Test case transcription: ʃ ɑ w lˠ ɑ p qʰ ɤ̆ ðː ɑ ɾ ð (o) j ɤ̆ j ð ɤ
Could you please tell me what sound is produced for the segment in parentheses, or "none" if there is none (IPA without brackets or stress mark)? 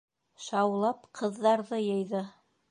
ɤ